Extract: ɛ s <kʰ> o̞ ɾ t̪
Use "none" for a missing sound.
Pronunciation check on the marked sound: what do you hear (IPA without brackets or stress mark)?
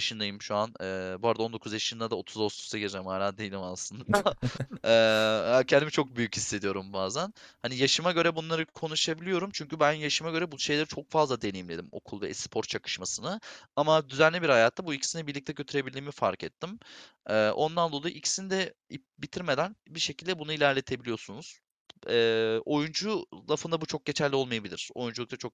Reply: pʰ